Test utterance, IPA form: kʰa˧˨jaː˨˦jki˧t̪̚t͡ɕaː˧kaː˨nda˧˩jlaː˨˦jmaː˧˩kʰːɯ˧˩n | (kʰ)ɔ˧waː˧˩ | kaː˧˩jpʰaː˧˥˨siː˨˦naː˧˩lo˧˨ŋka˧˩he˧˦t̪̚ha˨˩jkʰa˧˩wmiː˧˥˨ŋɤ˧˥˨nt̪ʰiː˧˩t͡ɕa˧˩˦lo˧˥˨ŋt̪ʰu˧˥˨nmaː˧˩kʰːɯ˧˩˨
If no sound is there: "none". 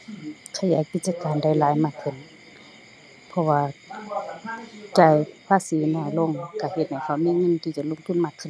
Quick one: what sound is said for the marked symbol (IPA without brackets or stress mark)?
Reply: pʰ